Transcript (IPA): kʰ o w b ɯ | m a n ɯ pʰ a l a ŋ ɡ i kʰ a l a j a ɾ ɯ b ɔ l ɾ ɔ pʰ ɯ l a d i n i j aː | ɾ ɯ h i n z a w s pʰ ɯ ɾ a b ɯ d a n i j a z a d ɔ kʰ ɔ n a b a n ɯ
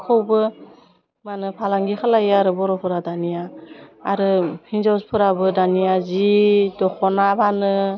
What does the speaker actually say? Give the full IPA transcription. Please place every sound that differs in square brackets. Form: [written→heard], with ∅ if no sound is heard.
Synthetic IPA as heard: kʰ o w b ɯ | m a n ɯ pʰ a l a ŋ ɡ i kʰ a l a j a ɾ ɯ b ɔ [l→∅] ɾ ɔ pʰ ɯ [l→ɾ] a d [i→a] n i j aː | ɾ ɯ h i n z a w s pʰ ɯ ɾ a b ɯ d a n i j a z [a→i] d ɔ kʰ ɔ n a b a n ɯ